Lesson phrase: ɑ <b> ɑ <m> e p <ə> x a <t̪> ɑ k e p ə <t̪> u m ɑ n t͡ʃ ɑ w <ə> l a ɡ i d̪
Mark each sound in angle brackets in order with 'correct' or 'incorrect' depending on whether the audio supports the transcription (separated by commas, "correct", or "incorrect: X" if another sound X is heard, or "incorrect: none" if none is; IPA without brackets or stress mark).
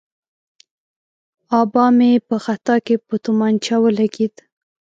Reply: correct, correct, correct, correct, correct, correct